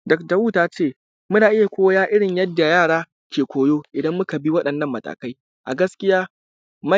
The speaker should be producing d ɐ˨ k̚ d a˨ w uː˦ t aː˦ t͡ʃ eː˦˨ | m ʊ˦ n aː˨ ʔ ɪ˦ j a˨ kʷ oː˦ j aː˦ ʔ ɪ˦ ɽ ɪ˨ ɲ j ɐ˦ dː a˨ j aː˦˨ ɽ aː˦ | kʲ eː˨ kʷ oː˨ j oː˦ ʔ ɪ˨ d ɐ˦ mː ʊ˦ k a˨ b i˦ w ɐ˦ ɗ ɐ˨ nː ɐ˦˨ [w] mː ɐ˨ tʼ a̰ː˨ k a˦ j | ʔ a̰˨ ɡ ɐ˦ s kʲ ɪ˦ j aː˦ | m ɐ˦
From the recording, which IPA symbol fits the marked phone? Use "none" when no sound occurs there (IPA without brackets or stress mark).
none